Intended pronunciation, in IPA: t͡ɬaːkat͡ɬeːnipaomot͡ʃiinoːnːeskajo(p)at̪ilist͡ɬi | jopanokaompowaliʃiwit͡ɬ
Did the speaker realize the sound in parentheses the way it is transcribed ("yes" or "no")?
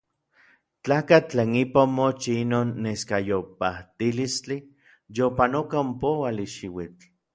yes